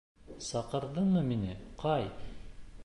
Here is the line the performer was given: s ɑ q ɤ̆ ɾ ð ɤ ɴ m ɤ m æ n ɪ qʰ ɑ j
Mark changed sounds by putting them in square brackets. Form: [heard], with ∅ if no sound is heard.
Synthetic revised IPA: s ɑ q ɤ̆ ɾ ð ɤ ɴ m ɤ m [i] n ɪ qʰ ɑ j